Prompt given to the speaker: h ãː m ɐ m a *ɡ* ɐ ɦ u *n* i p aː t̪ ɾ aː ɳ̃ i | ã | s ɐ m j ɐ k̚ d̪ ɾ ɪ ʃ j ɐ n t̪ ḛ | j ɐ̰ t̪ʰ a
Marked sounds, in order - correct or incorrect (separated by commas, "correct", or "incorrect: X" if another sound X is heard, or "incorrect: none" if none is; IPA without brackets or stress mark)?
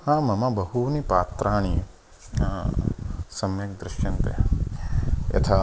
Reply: incorrect: b, correct